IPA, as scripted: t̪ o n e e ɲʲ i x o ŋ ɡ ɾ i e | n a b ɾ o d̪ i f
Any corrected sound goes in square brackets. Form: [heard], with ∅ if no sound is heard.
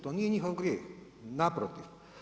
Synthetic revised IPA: t̪ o n [i] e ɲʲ i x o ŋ ɡ ɾ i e | n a [p] ɾ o [t̪] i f